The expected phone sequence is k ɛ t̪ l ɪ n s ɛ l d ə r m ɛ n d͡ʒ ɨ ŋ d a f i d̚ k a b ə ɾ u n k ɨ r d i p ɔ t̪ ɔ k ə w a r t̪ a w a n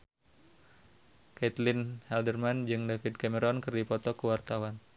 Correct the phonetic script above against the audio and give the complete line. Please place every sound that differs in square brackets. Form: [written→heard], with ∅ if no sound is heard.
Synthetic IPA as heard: k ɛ t̪ l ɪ n [s→h] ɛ l d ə r m [ɛ→a] n d͡ʒ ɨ ŋ d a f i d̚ k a [b→m] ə ɾ [u→ɔ] n k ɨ r d i p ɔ t̪ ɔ k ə w a r t̪ a w a n